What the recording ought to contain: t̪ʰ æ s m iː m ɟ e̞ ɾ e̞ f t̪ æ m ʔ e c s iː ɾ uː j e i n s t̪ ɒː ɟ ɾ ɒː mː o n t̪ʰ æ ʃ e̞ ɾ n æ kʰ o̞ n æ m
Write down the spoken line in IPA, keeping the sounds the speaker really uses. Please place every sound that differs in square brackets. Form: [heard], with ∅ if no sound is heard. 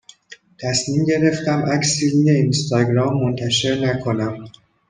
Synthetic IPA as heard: t̪ʰ æ s m iː m ɟ e̞ ɾ e̞ f t̪ æ m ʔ [æ] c s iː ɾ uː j e i n s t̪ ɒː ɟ ɾ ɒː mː o n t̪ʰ æ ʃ e̞ ɾ n æ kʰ o̞ n æ m